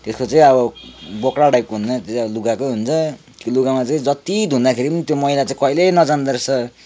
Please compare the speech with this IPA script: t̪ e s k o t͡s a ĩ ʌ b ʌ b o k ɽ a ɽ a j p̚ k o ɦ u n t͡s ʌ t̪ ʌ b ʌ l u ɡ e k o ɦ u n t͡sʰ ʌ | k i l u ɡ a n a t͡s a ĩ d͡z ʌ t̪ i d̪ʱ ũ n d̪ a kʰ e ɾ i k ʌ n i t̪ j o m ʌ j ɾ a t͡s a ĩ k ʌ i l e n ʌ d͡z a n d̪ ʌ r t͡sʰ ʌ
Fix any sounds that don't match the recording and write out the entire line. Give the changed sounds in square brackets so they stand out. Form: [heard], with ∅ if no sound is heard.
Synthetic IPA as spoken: t̪ e s k o t͡s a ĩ ʌ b ʌ b o k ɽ a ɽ a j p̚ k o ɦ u n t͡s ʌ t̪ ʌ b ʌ l u ɡ [a] k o ɦ u n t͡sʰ ʌ | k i l u ɡ a [m] a t͡s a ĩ d͡z ʌ t̪ i d̪ʱ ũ n d̪ a kʰ e ɾ i [p] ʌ n i t̪ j o m ʌ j [l] a t͡s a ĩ k ʌ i l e n ʌ d͡z a n d̪ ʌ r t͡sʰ ʌ